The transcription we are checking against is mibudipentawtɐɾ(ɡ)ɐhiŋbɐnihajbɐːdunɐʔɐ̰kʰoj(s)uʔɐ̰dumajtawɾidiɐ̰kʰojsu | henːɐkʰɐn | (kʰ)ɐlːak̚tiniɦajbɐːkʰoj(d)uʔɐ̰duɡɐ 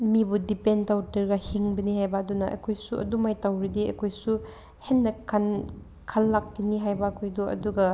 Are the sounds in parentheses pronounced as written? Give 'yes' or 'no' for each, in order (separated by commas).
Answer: yes, yes, yes, yes